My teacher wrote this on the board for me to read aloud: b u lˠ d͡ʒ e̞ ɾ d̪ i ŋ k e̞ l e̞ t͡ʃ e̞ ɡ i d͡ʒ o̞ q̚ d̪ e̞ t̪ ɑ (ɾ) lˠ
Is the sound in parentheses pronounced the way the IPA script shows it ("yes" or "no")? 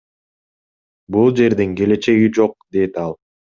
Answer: no